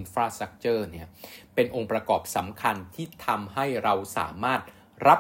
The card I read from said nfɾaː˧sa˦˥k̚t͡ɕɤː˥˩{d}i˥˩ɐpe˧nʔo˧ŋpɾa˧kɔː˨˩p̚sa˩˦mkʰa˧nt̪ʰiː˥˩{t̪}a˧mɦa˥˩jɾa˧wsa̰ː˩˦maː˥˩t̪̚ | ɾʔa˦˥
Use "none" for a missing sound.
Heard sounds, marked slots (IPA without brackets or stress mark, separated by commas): n, t̪ʰ